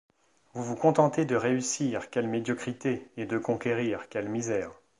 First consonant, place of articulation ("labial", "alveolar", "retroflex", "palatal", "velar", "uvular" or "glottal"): labial